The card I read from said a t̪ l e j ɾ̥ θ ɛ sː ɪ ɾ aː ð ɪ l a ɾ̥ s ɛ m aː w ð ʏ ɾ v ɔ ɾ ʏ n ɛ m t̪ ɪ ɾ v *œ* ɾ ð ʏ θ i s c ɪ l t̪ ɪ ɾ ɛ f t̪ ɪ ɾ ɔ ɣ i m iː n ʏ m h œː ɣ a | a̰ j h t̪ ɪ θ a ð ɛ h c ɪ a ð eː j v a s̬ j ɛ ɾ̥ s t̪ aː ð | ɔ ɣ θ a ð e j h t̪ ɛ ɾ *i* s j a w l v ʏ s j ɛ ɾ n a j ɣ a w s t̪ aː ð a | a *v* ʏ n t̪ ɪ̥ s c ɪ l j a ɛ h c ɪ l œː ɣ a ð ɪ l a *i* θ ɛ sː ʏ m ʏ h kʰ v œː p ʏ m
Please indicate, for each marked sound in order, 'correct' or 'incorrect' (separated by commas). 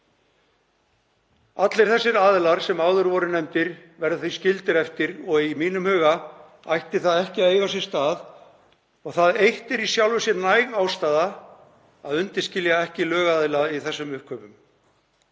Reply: incorrect, correct, incorrect, correct